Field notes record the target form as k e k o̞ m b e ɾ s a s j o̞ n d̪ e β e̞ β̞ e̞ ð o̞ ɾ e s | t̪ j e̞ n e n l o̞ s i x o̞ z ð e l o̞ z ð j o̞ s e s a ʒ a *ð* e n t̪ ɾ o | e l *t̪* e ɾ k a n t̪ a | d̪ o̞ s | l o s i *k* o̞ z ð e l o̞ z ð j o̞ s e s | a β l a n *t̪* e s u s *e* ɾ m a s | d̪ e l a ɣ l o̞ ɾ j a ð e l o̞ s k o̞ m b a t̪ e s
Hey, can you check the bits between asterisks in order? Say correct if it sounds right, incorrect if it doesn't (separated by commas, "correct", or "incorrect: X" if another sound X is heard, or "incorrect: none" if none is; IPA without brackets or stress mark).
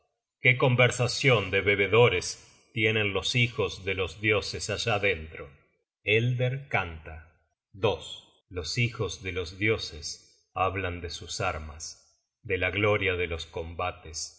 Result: correct, incorrect: d̪, incorrect: x, incorrect: d̪, incorrect: a